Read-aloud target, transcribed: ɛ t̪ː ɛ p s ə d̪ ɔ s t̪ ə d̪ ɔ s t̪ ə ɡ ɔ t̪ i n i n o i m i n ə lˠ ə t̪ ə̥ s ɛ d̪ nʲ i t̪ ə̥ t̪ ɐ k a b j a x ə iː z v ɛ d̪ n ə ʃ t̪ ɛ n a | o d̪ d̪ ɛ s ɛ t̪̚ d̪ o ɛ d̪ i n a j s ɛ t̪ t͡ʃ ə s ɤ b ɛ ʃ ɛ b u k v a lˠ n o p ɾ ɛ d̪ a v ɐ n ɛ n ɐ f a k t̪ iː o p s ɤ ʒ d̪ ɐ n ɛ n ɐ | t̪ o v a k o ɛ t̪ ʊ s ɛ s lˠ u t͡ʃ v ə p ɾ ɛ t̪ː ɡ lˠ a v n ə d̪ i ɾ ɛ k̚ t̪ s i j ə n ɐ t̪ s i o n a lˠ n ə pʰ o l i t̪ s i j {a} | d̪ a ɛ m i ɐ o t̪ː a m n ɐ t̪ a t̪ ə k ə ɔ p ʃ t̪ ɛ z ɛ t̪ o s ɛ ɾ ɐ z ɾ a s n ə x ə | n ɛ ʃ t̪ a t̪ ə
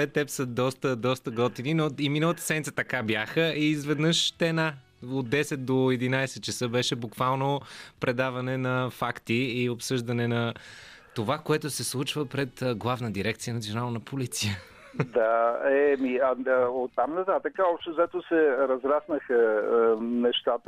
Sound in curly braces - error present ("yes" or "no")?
yes